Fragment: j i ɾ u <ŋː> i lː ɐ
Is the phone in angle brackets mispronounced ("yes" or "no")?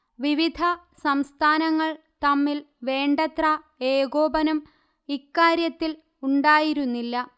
yes